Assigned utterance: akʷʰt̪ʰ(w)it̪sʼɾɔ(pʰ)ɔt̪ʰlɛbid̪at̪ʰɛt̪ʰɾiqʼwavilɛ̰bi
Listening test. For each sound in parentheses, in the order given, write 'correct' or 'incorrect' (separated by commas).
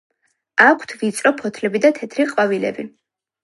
incorrect, correct